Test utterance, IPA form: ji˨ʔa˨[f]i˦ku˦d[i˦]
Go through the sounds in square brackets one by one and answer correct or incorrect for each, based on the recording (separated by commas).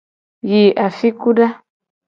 correct, incorrect